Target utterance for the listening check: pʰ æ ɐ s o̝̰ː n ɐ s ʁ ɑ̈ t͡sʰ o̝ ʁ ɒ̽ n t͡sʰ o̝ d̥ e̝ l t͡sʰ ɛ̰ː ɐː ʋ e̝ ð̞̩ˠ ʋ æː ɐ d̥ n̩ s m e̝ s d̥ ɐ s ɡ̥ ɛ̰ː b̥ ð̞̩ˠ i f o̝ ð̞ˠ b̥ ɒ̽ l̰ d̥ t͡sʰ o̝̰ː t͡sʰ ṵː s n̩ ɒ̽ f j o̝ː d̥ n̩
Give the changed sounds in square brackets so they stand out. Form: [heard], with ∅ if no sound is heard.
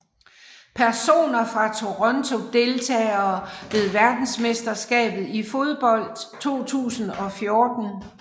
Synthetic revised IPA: pʰ æ ɐ s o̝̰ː n ɐ [f] ʁ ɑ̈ t͡sʰ o̝ ʁ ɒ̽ n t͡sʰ o̝ d̥ e̝ l t͡sʰ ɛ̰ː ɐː ʋ e̝ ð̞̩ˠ ʋ [æ] ɐ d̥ n̩ s m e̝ s d̥ ɐ s ɡ̥ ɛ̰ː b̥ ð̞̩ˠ i f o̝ ð̞ˠ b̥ ɒ̽ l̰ d̥ t͡sʰ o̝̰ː t͡sʰ ṵː s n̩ ɒ̽ f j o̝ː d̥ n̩